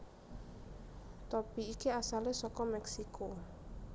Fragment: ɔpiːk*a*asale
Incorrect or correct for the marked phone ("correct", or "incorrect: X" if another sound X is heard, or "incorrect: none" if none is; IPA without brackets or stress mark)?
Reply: incorrect: i